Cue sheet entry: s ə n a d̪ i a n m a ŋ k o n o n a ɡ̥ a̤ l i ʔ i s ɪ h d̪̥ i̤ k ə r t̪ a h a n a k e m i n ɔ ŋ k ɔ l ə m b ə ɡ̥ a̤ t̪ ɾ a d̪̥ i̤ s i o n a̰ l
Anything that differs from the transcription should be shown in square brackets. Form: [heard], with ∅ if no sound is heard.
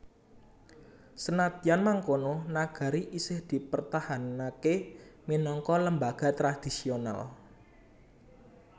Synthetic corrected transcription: s ə n a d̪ i a n m a ŋ k o n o n a ɡ̥ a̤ [ɾ] i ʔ i s ɪ h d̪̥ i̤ [p] ə r t̪ a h a n a k e m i n ɔ ŋ k ɔ l ə m b [a] ɡ̥ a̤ t̪ ɾ a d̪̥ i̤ s i o n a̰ l